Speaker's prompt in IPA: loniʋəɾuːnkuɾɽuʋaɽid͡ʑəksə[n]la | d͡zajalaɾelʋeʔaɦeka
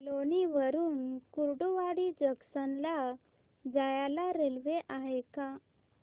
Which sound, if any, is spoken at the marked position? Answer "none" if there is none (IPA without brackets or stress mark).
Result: n